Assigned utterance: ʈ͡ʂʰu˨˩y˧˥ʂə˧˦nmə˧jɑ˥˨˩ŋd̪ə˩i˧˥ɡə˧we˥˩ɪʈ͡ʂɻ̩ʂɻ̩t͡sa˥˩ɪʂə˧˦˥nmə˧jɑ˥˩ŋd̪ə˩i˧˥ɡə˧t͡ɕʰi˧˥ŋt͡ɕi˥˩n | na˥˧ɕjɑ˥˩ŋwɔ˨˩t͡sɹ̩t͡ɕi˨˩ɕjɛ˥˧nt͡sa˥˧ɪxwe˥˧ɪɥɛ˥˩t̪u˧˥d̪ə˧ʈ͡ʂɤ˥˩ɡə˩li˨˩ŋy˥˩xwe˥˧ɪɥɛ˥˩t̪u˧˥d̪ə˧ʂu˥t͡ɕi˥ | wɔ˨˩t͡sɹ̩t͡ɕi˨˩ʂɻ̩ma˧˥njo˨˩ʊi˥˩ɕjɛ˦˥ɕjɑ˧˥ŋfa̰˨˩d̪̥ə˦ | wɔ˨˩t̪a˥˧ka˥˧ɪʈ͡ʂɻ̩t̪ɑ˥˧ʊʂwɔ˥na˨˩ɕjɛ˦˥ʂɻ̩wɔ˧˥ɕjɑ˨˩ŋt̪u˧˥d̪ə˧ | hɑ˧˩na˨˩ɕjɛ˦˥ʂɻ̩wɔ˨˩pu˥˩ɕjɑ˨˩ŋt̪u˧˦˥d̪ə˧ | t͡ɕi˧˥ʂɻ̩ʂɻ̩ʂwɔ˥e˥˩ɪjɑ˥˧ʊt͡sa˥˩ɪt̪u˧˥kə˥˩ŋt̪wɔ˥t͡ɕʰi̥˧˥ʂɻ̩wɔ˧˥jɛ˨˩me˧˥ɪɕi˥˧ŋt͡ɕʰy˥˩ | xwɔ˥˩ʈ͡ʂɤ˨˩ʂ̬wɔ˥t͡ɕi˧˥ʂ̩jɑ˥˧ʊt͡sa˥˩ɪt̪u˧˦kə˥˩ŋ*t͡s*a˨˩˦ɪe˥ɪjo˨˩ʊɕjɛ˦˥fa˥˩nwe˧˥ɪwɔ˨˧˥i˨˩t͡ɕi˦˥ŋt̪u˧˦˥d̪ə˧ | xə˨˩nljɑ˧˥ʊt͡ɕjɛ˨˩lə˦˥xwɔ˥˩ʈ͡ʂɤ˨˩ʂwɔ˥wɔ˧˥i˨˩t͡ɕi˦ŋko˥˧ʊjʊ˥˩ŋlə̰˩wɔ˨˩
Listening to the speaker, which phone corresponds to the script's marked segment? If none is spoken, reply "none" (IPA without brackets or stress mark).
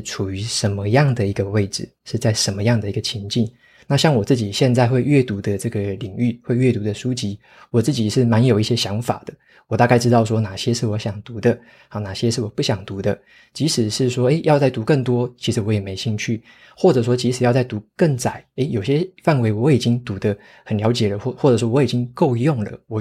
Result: t͡s